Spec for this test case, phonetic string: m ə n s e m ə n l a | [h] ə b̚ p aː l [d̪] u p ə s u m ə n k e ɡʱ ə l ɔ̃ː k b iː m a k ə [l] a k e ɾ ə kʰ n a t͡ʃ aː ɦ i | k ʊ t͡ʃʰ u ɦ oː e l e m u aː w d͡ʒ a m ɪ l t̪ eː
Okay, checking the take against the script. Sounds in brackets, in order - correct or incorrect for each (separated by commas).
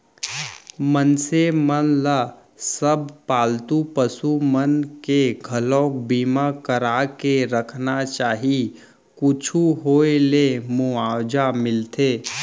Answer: incorrect, incorrect, incorrect